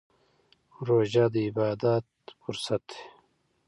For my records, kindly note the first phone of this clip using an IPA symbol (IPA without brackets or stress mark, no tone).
ɾ